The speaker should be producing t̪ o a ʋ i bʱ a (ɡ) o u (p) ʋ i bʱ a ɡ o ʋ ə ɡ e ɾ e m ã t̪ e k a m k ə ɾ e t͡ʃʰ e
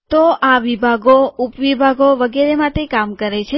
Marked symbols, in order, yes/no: yes, yes

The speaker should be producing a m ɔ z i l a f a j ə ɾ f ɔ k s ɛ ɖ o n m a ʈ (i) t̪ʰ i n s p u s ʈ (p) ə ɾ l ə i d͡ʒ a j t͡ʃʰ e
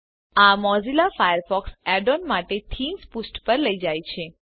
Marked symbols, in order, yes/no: no, yes

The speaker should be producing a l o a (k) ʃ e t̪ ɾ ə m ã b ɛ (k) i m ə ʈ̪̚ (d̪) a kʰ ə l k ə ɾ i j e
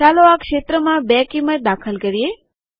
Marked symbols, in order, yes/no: yes, yes, yes

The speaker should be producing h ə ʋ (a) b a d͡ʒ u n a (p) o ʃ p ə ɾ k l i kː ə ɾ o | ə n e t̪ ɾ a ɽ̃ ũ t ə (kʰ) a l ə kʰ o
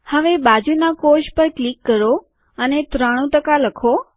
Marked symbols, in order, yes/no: no, no, no

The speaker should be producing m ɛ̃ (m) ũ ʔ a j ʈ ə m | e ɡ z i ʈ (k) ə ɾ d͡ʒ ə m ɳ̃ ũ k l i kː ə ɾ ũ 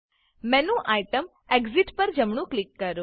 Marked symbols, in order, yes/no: no, no

